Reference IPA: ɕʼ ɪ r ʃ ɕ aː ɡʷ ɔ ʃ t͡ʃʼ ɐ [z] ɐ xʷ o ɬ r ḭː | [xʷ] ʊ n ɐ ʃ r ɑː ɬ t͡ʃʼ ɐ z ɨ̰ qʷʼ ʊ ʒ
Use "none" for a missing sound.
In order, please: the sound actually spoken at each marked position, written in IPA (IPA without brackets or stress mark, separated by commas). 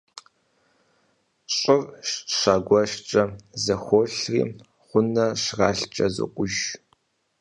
z, χʷ